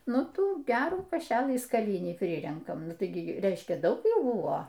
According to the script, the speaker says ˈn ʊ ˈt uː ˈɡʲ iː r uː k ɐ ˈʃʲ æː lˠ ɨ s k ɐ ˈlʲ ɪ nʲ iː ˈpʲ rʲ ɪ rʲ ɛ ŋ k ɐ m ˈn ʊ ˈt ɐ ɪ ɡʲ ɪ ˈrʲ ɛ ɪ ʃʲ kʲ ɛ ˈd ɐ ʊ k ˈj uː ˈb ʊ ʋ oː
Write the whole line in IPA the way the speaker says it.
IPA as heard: ˈn ʊ ˈt uː ˈɡʲ æː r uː k ɐ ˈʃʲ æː lˠ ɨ s k ɐ ˈlʲ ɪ nʲ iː ˈpʲ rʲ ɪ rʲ ɛ ŋ k ɐ m ˈn ʊ ˈt ɐ ɪ ɡʲ ɪ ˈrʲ ɛ ɪ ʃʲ kʲ ɛ ˈd ɐ ʊ k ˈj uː ˈb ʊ ʋ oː